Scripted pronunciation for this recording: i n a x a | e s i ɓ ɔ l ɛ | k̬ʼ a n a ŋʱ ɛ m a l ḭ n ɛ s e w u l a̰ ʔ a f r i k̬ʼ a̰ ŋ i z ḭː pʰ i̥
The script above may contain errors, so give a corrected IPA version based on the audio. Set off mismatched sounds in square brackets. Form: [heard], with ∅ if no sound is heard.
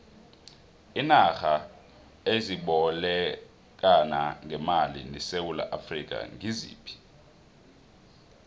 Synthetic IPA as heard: i n a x a | e [z] i ɓ ɔ l ɛ | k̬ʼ a n a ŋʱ ɛ m a l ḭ n ɛ s e w u l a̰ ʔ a f r i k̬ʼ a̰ ŋ i z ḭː pʰ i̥